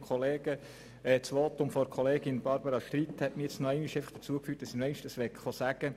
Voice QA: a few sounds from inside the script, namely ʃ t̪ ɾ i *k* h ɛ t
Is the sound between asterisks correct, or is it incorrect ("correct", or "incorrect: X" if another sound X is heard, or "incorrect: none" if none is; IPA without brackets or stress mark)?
incorrect: t